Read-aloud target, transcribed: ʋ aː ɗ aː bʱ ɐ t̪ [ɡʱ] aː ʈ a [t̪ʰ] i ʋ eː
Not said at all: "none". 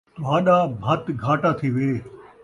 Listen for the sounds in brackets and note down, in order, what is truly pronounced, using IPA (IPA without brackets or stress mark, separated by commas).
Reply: ɡʱ, t̪ʰ